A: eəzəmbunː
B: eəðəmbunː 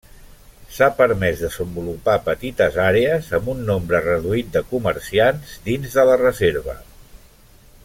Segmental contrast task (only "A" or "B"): A